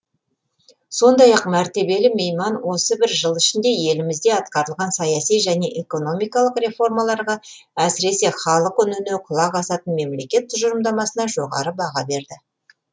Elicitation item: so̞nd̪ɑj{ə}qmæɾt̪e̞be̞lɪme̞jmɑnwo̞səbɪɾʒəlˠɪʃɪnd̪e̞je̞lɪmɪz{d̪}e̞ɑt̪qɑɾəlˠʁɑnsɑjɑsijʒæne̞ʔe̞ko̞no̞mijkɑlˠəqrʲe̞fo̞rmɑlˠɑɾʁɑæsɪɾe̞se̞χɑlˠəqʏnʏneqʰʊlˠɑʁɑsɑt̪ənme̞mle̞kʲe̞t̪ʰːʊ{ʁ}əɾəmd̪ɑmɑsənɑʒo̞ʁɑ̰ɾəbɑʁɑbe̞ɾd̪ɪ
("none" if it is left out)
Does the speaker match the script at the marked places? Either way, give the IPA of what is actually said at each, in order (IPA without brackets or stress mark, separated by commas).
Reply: ɑ, d̪, ʒ